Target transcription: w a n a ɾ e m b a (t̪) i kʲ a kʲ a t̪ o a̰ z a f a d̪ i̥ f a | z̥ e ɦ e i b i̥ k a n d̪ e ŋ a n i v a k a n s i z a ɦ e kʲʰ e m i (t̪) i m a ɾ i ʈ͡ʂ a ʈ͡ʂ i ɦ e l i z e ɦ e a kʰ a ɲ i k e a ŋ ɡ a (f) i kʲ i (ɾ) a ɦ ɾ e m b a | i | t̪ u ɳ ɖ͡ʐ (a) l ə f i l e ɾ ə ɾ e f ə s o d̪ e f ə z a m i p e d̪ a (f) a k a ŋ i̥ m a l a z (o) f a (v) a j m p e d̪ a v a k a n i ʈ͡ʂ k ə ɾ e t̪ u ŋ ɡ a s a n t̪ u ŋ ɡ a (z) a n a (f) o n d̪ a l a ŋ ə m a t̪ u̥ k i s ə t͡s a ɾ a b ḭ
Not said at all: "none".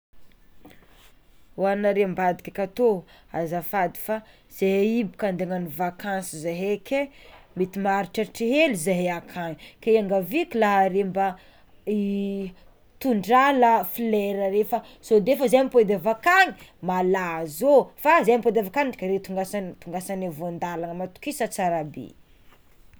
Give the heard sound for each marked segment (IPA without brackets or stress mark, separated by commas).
d̪, t̪, v, l, a, v, o, z, s, v